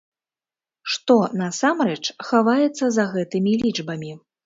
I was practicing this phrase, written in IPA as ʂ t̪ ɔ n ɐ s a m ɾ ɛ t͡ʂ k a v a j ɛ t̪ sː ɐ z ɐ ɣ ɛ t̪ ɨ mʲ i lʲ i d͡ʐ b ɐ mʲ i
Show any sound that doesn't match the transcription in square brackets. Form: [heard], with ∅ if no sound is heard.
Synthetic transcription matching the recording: ʂ t̪ ɔ n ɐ s a m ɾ ɛ t͡ʂ [x] a v a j ɛ t̪ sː ɐ z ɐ ɣ ɛ t̪ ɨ mʲ i lʲ i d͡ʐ b ɐ mʲ i